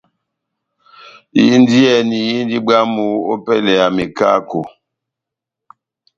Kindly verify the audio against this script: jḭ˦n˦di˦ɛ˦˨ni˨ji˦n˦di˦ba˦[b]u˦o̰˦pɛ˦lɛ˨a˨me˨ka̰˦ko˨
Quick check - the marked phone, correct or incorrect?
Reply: incorrect